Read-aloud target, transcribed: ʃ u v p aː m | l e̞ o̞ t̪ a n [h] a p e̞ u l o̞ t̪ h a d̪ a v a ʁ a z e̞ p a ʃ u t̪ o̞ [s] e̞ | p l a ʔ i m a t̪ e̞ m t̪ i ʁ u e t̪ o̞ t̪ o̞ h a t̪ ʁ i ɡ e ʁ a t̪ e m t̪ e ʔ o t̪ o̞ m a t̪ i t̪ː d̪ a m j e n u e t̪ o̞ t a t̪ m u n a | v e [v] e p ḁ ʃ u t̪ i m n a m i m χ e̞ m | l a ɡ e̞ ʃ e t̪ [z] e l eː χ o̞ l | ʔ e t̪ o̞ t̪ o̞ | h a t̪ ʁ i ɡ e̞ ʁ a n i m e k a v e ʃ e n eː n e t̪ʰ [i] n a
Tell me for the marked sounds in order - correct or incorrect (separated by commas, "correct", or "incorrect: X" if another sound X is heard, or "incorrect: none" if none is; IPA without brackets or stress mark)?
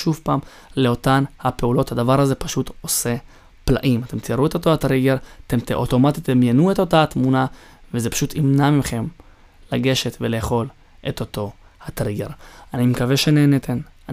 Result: correct, correct, incorrect: z, incorrect: v, incorrect: e